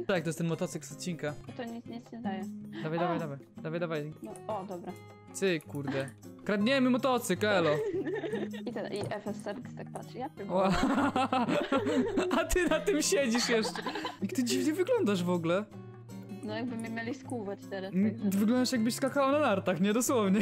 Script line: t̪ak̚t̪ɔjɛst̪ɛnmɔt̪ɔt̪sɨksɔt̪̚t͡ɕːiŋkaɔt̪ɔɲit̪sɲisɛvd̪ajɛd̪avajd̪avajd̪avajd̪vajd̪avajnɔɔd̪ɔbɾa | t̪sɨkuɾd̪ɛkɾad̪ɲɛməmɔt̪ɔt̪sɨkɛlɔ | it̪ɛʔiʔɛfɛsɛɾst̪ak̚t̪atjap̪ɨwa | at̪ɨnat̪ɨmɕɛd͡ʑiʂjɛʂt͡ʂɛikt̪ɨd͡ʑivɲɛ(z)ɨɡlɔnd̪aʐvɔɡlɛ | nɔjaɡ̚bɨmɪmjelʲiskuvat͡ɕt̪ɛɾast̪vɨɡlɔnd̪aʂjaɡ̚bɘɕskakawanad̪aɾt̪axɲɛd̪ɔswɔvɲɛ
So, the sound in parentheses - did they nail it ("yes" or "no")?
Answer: no